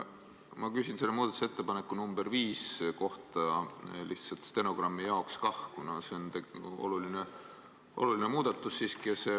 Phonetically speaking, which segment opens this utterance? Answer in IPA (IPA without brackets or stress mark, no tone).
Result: m